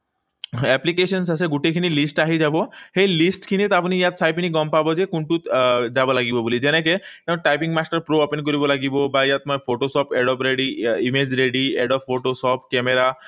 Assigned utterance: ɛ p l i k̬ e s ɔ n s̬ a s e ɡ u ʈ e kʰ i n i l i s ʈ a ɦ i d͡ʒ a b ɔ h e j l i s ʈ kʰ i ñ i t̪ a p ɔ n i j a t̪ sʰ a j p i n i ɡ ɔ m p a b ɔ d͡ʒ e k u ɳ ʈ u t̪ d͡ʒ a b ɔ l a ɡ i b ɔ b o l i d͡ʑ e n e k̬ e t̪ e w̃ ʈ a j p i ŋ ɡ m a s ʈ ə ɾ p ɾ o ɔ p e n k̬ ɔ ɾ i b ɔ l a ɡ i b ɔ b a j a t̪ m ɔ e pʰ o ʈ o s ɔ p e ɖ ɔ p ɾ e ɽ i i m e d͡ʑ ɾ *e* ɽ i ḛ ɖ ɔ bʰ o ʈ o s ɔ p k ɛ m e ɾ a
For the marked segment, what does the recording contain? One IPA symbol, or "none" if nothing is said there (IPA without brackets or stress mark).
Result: e